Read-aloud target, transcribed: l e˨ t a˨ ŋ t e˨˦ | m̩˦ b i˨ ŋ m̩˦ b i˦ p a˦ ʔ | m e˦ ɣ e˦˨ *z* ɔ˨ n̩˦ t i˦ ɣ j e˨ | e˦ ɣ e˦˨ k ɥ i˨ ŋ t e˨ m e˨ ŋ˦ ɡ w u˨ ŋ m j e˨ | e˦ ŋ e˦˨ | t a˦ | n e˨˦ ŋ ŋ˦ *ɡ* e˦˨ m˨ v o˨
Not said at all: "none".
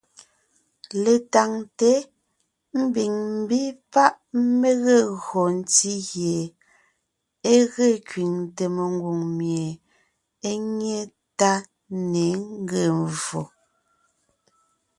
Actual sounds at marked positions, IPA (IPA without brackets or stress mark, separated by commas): ɣ, ɡ